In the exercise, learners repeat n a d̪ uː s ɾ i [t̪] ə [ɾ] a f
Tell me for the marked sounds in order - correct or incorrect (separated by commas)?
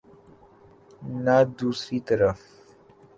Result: correct, correct